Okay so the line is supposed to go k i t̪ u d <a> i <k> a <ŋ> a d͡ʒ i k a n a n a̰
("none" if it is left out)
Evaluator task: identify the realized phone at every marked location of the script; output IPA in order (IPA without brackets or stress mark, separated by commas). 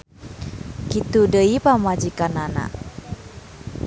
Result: ə, p, m